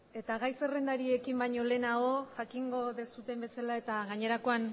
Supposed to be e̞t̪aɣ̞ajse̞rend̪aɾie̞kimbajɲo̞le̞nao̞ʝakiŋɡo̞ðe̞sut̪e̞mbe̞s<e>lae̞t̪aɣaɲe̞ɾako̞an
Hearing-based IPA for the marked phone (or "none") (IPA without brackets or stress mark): a